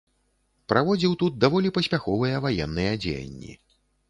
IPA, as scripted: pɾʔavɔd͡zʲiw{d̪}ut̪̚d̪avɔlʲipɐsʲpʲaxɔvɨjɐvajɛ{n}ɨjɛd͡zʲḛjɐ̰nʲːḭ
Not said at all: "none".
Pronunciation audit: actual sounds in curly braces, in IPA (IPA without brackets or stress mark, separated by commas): t̪, nː